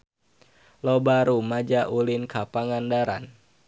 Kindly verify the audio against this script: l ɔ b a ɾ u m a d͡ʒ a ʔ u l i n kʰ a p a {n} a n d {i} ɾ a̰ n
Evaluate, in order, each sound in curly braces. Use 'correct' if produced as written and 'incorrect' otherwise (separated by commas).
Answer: incorrect, incorrect